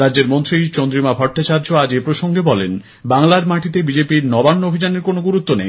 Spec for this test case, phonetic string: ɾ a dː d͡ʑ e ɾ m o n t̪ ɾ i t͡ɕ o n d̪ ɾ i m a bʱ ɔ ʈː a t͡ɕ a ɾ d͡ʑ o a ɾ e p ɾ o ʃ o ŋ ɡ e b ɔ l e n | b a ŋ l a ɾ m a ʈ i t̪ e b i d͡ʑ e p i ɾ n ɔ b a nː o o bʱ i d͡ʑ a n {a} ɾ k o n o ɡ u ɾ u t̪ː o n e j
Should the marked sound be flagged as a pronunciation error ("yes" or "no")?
yes